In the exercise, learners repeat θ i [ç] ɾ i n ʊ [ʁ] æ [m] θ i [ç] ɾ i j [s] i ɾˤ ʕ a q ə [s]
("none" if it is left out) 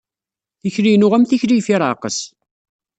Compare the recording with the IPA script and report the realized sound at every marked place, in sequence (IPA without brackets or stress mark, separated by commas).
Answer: ç, ʁ, m, ç, f, s